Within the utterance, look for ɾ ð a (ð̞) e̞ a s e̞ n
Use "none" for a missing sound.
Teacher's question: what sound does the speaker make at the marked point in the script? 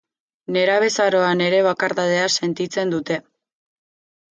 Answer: ð̞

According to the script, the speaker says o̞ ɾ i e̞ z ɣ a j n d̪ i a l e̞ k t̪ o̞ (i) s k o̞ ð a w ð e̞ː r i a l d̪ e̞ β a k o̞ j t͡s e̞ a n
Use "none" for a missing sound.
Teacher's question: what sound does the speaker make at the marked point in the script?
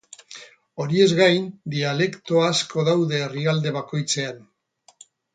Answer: a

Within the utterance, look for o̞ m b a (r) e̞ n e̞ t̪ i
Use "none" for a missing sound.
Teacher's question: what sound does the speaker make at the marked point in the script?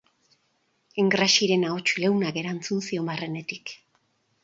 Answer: r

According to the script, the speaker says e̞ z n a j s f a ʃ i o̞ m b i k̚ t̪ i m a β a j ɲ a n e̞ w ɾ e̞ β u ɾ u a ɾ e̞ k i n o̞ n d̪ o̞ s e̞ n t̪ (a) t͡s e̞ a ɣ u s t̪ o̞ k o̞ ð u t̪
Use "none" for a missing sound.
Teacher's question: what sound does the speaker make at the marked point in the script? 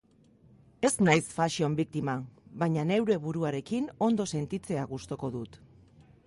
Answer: i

